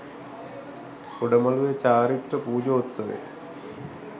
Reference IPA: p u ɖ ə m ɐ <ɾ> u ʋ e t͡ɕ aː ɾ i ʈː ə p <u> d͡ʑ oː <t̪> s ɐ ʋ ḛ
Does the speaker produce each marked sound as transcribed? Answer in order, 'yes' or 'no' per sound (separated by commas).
no, no, yes